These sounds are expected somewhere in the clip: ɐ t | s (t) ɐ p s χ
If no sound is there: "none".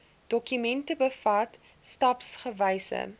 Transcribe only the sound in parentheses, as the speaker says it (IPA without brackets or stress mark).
t